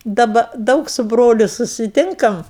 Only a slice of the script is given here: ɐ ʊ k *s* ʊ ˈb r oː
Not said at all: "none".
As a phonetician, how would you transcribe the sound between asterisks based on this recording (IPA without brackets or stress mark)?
s